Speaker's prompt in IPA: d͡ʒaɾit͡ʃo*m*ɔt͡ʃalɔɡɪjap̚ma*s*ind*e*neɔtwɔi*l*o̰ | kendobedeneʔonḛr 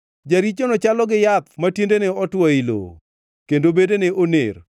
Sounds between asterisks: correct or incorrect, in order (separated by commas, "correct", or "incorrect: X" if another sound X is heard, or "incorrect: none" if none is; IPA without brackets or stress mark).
incorrect: n, incorrect: t, correct, correct